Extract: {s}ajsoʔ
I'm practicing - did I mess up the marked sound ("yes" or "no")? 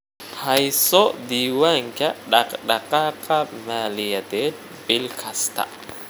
yes